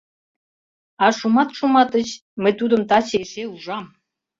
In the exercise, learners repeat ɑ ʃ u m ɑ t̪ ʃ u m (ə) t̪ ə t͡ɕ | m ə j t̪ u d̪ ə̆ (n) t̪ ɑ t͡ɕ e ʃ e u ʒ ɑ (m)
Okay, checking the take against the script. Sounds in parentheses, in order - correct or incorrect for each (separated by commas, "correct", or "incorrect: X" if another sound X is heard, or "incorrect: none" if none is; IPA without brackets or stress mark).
incorrect: ɑ, incorrect: m, correct